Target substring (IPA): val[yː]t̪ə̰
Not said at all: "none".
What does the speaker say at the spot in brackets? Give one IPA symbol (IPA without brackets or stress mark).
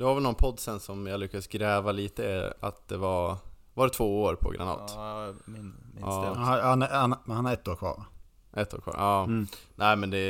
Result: iː